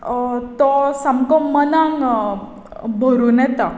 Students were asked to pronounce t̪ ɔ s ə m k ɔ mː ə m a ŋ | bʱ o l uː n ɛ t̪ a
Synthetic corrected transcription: t̪ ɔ s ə m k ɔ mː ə n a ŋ | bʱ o ɾ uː n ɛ t̪ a